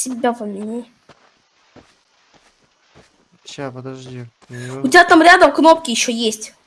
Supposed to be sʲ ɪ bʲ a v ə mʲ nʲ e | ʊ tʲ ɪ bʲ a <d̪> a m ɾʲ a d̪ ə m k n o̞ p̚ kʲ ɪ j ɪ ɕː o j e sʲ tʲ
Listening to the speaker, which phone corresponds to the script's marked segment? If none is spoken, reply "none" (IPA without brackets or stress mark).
t̪